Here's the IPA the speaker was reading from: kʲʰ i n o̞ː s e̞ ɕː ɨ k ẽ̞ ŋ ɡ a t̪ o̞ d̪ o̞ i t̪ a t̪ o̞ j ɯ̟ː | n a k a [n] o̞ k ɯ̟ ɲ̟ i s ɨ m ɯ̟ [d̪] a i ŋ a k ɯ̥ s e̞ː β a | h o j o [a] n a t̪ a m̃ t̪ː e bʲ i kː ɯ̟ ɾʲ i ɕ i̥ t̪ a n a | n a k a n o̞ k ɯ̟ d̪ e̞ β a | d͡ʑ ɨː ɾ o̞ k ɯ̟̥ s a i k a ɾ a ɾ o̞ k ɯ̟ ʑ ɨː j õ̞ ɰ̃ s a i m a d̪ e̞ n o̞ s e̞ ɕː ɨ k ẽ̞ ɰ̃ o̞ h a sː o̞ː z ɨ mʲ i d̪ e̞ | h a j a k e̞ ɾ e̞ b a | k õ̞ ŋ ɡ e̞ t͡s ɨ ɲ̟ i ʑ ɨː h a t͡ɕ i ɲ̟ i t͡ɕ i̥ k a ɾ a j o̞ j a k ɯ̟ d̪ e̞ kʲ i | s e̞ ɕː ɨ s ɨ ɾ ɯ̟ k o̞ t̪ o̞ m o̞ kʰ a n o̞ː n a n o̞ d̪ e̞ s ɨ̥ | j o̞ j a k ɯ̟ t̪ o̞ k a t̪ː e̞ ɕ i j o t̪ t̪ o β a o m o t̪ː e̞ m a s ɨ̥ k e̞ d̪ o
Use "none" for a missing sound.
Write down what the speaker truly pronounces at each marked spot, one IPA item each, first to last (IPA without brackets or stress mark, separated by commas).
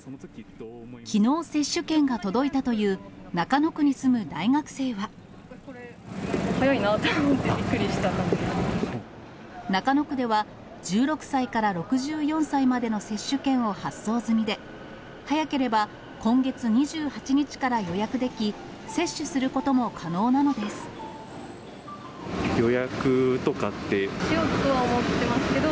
n, d̪, i